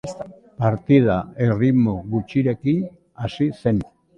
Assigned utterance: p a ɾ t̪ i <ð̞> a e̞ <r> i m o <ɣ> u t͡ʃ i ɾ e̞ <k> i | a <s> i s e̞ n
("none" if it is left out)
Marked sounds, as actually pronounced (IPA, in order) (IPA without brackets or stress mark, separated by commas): ð̞, r, ɣ, k, s